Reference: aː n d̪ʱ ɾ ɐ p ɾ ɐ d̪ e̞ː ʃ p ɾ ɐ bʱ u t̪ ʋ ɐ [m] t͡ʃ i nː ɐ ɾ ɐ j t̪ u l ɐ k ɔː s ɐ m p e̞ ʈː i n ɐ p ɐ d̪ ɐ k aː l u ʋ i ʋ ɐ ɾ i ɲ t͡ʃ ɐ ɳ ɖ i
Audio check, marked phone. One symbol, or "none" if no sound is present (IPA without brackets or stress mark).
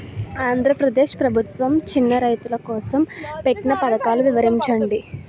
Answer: m